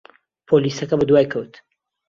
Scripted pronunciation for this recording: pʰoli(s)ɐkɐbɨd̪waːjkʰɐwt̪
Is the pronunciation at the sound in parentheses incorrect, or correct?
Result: correct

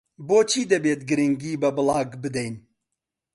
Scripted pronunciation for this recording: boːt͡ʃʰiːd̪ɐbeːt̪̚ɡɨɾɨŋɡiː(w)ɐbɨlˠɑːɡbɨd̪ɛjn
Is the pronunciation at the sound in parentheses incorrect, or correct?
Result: incorrect: b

